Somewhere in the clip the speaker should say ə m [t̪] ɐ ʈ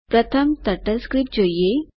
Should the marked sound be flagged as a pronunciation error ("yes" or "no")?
no